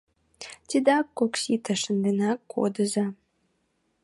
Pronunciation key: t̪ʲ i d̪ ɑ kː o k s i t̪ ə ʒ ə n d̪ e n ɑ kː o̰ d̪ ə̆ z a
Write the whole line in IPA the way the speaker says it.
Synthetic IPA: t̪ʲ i d̪ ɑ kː o k s i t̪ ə ʃ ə n d̪ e n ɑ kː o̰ d̪ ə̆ z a